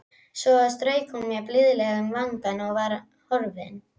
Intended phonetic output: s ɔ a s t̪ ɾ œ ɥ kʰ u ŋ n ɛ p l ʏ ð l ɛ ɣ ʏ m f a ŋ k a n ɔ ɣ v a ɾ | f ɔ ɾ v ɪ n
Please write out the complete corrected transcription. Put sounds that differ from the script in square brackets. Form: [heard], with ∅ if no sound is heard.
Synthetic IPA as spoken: s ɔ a s t̪ ɾ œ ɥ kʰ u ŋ [m] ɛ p l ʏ ð l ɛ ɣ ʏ m [v] a ŋ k a n ɔ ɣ v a ɾ | [h] ɔ ɾ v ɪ n